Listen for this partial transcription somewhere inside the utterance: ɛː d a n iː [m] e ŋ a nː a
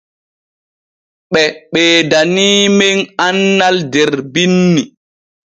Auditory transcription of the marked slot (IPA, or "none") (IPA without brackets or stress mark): m